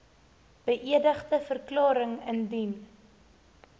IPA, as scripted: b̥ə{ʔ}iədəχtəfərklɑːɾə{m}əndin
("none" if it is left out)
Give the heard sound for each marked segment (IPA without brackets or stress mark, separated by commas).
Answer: ʔ, ŋ